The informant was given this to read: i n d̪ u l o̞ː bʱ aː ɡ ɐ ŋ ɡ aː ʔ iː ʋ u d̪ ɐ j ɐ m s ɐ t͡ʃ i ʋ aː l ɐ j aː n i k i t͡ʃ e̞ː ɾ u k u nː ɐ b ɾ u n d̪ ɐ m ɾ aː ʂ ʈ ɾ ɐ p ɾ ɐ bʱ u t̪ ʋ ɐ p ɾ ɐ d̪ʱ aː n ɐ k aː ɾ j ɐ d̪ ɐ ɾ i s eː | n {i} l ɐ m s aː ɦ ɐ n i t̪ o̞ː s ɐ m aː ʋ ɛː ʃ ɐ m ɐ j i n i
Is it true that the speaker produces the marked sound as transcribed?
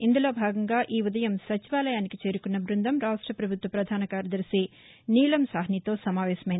no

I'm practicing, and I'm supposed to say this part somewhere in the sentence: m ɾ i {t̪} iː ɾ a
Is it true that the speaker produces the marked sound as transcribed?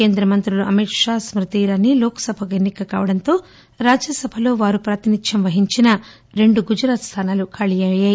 yes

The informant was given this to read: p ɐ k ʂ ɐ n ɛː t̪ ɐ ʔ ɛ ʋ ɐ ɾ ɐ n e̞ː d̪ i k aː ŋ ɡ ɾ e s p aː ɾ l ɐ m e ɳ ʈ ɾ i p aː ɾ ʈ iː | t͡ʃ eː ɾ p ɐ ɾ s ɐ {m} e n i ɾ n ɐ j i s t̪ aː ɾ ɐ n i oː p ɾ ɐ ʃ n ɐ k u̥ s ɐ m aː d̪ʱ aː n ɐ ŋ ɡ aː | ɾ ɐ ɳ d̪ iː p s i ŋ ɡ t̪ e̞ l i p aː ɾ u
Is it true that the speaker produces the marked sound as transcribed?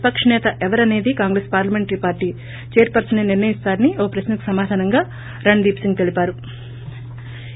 no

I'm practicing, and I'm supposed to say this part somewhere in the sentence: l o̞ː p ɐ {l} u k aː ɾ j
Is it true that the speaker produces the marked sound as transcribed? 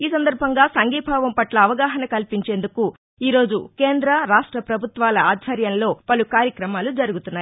yes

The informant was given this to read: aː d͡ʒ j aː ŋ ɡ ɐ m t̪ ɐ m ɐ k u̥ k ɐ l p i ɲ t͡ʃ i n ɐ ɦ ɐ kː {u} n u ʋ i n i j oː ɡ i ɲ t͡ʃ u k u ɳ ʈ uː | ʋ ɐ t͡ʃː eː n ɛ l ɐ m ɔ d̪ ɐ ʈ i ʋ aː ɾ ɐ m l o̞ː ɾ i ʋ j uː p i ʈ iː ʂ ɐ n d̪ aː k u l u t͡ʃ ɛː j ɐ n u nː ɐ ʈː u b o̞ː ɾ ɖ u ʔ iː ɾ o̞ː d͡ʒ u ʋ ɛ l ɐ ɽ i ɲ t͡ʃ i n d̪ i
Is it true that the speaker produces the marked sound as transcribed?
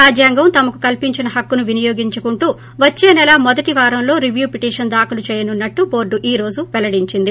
yes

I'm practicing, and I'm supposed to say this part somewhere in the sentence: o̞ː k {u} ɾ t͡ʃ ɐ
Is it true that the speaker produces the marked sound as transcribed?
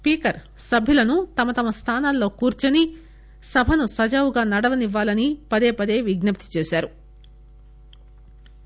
no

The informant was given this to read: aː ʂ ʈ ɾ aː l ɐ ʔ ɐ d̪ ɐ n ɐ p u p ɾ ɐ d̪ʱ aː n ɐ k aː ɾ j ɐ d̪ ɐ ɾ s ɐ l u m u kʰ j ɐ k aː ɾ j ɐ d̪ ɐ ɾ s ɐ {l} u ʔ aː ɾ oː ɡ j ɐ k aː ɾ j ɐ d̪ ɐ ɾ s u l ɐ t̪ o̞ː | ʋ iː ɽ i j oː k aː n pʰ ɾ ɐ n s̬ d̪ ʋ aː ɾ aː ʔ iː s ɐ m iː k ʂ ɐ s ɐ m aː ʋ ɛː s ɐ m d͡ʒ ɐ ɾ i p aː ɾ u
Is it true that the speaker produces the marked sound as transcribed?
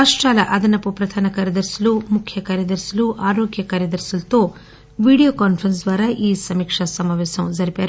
yes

